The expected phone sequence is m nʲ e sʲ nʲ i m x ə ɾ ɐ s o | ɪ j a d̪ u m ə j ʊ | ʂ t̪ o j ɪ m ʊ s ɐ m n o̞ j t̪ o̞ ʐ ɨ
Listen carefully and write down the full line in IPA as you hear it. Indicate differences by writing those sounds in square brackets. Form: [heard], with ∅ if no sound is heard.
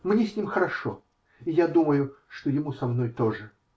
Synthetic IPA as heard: m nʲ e sʲ nʲ i m x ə ɾ ɐ [ʂ] o | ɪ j a d̪ u m ə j ʊ | ʂ t̪ o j ɪ m [u] s ɐ m n o̞ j t̪ o̞ ʐ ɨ